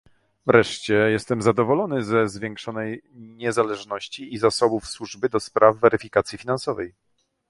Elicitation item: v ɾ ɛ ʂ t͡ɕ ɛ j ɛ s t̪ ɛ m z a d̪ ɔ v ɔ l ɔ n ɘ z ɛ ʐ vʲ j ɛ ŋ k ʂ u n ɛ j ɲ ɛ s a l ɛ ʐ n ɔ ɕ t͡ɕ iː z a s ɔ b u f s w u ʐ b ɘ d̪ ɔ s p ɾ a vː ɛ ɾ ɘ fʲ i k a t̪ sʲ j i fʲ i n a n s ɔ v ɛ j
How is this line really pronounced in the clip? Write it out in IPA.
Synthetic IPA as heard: v ɾ ɛ ʂ t͡ɕ ɛ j ɛ s t̪ ɛ m z a d̪ ɔ v ɔ l ɔ n ɘ z ɛ z vʲ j ɛ ŋ k ʂ ɔ n ɛ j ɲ ɛ z a l ɛ ʐ n ɔ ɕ t͡ɕ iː z a s ɔ b u f s w u ʐ b ɘ d̪ ɔ s p ɾ a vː ɛ ɾ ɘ fʲ i k a t̪ sʲ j i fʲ i n a n s ɔ v ɛ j